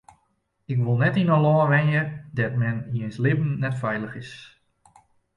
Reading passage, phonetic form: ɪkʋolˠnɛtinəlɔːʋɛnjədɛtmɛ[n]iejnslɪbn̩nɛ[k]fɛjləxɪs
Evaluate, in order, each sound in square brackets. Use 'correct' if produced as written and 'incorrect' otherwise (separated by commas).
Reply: correct, incorrect